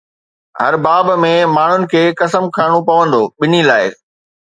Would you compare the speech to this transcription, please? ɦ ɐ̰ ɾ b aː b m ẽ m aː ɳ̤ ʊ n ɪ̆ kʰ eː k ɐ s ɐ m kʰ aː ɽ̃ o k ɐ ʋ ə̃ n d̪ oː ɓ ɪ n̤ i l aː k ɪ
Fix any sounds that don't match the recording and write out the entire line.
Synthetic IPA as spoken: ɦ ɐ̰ ɾ b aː b m ẽ m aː ɳ̤ ʊ n ɪ̆ kʰ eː k ɐ s ə m kʰ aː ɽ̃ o p ɐ ʋ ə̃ n d̪ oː ɓ ɪ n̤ i l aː ɪ